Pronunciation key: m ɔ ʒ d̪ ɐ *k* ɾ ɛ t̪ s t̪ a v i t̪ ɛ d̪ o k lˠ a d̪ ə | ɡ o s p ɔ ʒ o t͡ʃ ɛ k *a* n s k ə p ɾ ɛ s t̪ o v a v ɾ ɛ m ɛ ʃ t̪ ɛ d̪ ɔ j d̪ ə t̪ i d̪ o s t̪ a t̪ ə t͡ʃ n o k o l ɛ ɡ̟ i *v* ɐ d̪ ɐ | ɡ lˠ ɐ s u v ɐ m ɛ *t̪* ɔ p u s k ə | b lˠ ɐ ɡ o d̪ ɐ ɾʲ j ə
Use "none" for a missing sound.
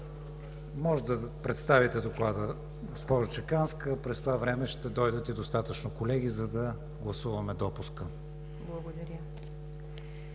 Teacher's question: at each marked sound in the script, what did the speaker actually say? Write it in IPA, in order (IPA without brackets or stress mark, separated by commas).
p, a, z, d̪